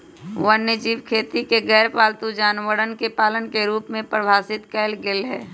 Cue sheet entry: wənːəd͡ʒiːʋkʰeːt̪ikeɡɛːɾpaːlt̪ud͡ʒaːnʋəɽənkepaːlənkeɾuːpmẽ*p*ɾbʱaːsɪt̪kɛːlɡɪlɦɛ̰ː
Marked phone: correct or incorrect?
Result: correct